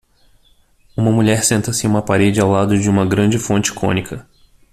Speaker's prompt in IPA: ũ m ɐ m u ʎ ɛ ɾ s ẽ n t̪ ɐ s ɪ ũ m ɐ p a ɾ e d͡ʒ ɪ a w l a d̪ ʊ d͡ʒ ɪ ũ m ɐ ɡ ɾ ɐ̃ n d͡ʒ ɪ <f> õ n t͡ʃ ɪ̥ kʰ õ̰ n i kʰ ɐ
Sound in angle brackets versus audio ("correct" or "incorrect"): correct